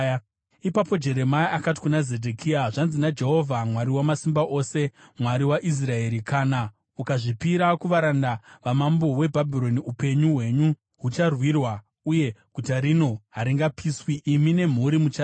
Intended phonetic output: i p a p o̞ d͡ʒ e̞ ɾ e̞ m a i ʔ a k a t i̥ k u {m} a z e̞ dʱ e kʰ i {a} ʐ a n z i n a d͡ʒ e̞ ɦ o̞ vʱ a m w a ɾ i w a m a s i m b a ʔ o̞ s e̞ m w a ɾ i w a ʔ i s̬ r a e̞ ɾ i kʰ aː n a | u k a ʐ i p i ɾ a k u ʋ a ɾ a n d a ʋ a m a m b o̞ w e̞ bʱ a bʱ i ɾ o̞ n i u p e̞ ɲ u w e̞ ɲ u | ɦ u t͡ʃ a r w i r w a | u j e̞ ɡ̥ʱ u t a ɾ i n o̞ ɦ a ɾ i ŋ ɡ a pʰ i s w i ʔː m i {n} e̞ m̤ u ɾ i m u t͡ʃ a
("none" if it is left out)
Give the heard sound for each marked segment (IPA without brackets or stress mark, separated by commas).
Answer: n, a, n